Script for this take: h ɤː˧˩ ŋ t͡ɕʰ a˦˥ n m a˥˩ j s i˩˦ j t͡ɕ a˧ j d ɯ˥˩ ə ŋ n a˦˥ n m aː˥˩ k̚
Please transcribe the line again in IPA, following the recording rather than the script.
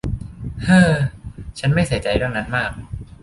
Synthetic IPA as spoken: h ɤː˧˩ t͡ɕʰ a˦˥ n m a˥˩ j s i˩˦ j t͡ɕ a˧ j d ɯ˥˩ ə ŋ n a˦˥ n m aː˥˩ k̚